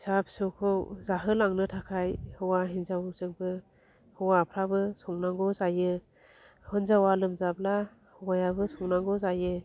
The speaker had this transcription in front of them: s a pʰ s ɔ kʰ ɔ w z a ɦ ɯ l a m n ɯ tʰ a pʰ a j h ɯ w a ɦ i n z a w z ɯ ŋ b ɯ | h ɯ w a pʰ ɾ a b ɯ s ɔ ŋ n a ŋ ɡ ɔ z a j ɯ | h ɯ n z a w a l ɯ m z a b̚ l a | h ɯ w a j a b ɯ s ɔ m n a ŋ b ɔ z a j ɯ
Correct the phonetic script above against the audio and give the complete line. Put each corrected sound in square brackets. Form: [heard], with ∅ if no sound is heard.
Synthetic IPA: s a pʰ s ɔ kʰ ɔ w z a ɦ ɯ l a [ŋ] n ɯ tʰ a [kʰ] a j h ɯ w a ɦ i n z a w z ɯ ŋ b ɯ | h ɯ w a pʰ ɾ a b ɯ s ɔ ŋ n a ŋ ɡ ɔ z a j ɯ | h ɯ n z a w a l ɯ m z a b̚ l a | h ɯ w a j a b ɯ s ɔ [ŋ] n a ŋ [ɡ] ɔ z a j ɯ